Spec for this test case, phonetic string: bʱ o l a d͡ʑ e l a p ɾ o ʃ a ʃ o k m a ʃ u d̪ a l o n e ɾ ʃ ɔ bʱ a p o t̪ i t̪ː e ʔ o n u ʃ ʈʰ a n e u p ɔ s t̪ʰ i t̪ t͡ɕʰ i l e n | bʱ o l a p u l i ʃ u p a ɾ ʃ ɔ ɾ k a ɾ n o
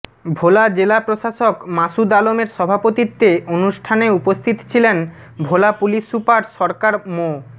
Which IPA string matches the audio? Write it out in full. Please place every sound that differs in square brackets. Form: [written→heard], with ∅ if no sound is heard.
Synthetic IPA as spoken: bʱ o l a d͡ʑ e l a p ɾ o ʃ a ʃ o k m a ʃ u d̪ a l o [n→m] e ɾ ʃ ɔ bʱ a p o t̪ i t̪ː e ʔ o n u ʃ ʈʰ a n e u p [ɔ→o] s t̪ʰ i t̪ t͡ɕʰ i l e n | bʱ o l a p u l i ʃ u p a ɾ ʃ ɔ ɾ k a ɾ [n→m] o